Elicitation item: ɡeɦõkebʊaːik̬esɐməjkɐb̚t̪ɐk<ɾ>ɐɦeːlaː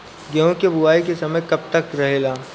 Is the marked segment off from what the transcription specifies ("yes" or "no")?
no